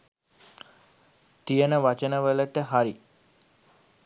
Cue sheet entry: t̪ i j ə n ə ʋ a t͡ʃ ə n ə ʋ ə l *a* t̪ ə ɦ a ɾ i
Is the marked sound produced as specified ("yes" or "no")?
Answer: no